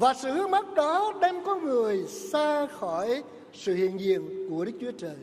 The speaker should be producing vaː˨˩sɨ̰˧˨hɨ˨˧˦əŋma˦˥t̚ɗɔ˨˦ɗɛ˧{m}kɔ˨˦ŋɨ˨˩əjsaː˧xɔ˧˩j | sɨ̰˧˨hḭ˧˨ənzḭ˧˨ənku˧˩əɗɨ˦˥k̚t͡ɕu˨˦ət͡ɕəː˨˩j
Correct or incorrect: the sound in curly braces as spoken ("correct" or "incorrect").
correct